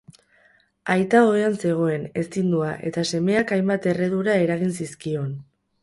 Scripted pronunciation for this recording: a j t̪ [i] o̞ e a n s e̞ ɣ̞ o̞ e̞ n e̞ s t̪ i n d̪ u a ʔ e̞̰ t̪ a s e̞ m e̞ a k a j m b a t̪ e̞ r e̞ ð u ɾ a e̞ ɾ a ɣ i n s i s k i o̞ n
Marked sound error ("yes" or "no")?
yes